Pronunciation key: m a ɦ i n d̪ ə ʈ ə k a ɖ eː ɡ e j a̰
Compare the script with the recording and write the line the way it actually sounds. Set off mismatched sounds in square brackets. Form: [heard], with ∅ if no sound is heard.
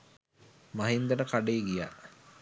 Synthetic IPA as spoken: m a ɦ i n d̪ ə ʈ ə k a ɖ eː ɡ [i] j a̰